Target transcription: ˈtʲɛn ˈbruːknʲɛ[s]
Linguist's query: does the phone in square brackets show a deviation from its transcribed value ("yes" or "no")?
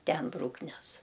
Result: no